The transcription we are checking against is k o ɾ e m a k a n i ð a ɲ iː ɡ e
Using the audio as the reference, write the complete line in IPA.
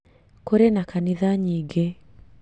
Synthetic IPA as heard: k o ɾ e n a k a n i ð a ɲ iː ɡ e